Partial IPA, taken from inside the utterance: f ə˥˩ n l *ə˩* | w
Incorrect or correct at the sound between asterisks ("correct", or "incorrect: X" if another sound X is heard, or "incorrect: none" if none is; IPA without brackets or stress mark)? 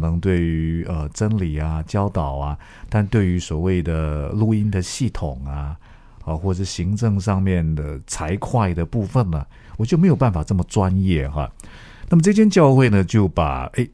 correct